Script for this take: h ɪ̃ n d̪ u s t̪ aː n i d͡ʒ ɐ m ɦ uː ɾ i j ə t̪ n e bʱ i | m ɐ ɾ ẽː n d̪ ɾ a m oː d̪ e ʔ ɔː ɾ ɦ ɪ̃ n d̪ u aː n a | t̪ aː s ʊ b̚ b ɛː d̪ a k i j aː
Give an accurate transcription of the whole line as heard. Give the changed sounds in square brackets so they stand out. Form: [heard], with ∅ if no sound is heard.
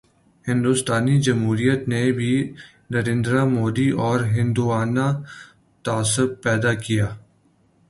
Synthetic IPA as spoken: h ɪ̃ n d̪ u s t̪ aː n i d͡ʒ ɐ m ɦ uː ɾ i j ə t̪ n e bʱ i | [n] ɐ ɾ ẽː n d̪ ɾ a m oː d̪ [i] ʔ ɔː ɾ ɦ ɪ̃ n d̪ u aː n a | t̪ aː s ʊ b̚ [p] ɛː d̪ a k i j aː

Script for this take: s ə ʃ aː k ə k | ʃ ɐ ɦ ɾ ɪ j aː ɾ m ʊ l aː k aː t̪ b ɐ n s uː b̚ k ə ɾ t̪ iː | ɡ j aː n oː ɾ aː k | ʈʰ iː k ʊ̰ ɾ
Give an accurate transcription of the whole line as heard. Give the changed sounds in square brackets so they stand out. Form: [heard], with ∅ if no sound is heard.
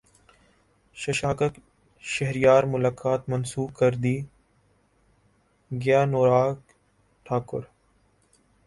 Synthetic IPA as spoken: [ʃ] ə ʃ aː k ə k | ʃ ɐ ɦ ɾ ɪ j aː ɾ m ʊ l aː k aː t̪ [m] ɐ n s uː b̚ k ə ɾ [d̪] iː | ɡ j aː n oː ɾ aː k | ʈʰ [aː] k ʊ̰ ɾ

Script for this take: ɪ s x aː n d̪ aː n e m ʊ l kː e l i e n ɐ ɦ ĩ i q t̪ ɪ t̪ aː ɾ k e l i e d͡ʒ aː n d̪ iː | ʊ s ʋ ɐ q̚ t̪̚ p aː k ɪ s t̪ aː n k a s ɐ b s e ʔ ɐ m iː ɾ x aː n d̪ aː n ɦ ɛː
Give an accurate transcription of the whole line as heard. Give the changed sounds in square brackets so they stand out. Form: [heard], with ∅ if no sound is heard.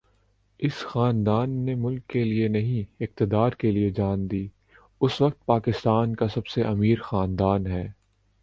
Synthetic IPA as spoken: ɪ s x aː n d̪ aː [nː] e m ʊ l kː e l i e n ɐ ɦ ĩ [ɪ] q t̪ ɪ [d̪] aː ɾ k e l i e d͡ʒ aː n d̪ iː | ʊ s ʋ ɐ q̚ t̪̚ p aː k ɪ s t̪ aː n k a s ɐ b s e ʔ ɐ m iː ɾ x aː n d̪ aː n ɦ ɛː

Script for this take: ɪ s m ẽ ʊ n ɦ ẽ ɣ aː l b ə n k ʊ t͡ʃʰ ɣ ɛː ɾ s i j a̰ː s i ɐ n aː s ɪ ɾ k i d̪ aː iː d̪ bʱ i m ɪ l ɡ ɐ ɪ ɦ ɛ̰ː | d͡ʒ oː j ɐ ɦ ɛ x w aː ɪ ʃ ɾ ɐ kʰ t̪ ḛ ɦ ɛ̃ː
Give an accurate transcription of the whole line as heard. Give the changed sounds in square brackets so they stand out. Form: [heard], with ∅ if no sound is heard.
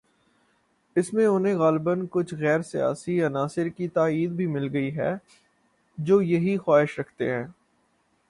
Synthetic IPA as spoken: ɪ s m ẽ ʊ n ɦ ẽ ɣ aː l b ə n k ʊ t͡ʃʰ ɣ ɛː ɾ s i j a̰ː s i ɐ n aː s ɪ ɾ k i [t̪] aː iː d̪ bʱ i m ɪ l ɡ ɐ [i] ɦ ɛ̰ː | d͡ʒ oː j ɐ ɦ [i] x w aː ɪ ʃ ɾ ɐ kʰ t̪ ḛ ɦ ɛ̃ː

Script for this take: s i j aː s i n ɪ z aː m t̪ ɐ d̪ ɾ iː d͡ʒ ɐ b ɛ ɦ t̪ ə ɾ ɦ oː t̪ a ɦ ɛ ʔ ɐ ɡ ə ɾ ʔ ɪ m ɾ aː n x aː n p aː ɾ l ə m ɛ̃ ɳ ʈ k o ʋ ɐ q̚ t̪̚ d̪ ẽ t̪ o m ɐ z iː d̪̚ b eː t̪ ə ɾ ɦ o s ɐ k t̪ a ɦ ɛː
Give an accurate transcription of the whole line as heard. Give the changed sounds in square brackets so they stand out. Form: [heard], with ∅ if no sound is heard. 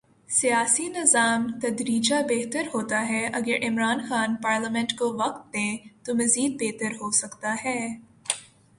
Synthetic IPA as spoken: s i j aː s i n ɪ z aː m t̪ ɐ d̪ ɾ iː d͡ʒ [a] b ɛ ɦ t̪ ə ɾ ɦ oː t̪ a ɦ ɛ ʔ ɐ ɡ ə ɾ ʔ ɪ m ɾ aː n x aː n p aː ɾ l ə m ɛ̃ ɳ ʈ k o ʋ ɐ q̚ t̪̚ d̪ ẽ t̪ o m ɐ z iː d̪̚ b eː t̪ ə ɾ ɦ o s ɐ k t̪ a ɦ ɛː

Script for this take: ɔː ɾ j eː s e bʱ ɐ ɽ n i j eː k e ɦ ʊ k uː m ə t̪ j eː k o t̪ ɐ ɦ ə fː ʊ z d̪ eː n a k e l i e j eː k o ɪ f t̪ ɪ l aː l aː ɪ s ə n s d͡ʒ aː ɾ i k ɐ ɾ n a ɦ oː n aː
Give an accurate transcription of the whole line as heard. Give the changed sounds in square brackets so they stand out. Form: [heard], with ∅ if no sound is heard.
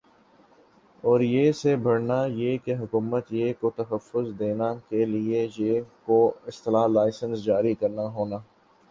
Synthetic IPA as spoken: ɔː ɾ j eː s e bʱ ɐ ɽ n [a] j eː k e ɦ ʊ k uː m ə t̪ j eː k o t̪ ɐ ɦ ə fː ʊ z d̪ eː n a k e l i e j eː k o ɪ [s] t̪ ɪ l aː l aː ɪ s ə n s d͡ʒ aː ɾ i k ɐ ɾ n a ɦ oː n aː

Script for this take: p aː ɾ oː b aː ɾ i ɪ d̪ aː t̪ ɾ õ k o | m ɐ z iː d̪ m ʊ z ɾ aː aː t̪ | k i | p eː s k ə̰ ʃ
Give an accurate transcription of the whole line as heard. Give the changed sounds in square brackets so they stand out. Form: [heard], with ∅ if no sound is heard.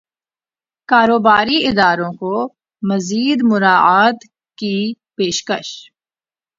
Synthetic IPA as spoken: [k] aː ɾ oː b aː ɾ i ɪ d̪ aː [∅] ɾ õ k o | m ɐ z iː d̪ m ʊ [∅] ɾ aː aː t̪ | k i | p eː [ʃ] k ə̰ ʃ

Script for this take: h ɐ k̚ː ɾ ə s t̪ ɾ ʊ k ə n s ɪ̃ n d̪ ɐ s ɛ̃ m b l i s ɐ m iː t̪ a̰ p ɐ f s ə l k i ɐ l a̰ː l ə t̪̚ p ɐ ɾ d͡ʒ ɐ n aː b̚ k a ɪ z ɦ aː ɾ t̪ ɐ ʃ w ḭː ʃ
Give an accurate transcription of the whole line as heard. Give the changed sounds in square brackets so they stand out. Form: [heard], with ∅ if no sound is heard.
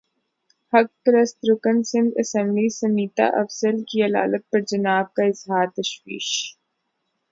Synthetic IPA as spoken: h ɐ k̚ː ɾ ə s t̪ ɾ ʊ k ə n s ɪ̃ n d̪ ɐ s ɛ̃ m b l i s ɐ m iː t̪ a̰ [ʔ] ɐ f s ə l k i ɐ l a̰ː l ə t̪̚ p ɐ ɾ d͡ʒ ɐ n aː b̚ k a ɪ z ɦ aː ɾ t̪ ɐ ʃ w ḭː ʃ

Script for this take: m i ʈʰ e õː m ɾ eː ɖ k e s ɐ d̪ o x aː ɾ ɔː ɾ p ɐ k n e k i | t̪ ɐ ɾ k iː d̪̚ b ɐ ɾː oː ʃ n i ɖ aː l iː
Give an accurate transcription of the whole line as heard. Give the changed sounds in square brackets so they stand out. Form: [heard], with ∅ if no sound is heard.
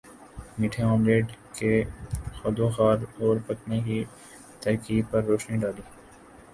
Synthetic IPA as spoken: m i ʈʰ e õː m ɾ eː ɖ k e [x] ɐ d̪ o x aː ɾ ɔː ɾ p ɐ k n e k i | t̪ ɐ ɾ k iː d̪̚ [p] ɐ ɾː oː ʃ n i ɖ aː l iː

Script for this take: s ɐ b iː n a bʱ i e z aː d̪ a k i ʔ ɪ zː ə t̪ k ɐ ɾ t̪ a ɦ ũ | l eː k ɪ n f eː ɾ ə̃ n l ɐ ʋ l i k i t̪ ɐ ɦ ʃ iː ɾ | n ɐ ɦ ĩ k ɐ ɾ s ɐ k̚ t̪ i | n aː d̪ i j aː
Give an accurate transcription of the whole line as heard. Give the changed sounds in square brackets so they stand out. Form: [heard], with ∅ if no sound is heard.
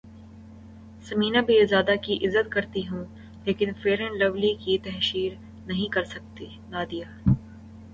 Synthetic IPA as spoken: s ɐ [m] iː n a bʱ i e z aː d̪ a k i ʔ ɪ zː ə t̪ k ɐ ɾ t̪ [i] ɦ ũ | l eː k ɪ n f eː ɾ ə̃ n l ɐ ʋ l i k i t̪ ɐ ɦ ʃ iː ɾ | n ɐ ɦ ĩ k ɐ ɾ s ɐ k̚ t̪ i | n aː d̪ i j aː

